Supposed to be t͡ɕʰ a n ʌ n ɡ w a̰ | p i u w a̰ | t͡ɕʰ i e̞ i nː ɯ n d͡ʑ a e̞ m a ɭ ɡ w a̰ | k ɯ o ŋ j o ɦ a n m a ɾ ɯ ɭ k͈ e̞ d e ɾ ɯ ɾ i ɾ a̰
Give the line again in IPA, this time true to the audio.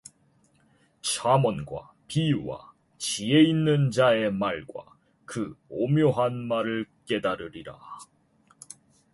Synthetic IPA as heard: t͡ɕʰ a m ʌ n ɡ w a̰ | p i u w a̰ | t͡ɕ i e̞ i nː ɯ n d͡ʑ a e̞ m a ɭ ɡ w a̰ | k ɯ o m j o ɦ a n m a ɾ ɯ ɭ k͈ e̞ d a ɾ ɯ ɾ i ɾ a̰